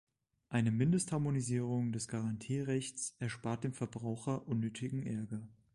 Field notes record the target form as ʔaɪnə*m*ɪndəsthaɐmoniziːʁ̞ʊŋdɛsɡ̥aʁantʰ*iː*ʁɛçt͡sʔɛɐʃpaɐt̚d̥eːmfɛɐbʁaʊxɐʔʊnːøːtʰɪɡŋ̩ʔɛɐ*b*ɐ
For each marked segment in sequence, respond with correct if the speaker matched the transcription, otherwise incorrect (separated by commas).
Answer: correct, correct, incorrect